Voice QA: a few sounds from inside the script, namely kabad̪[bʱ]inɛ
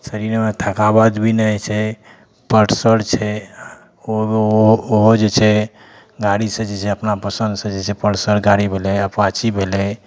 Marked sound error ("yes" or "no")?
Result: no